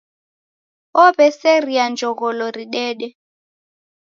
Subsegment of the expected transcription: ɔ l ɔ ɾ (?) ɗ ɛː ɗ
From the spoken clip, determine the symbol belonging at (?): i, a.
i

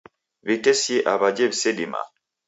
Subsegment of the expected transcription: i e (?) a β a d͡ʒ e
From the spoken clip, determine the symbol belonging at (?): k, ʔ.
ʔ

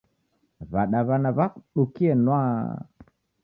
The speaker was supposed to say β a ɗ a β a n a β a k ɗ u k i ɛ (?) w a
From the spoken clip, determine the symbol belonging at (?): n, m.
n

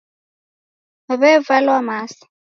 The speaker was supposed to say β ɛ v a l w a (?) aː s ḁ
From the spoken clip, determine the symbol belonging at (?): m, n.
m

